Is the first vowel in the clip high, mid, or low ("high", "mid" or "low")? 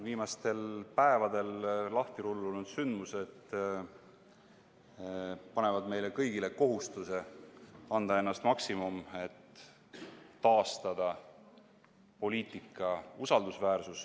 high